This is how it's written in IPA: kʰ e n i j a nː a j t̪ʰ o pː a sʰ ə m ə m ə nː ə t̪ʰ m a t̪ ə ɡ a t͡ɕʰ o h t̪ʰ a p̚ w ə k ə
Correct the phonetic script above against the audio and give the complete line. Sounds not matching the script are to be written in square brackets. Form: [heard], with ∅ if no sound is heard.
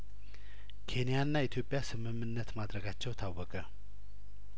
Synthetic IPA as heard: kʰ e n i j a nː a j t̪ʰ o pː a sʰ ə m ə m ə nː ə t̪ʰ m a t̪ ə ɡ a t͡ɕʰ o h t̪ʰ a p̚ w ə k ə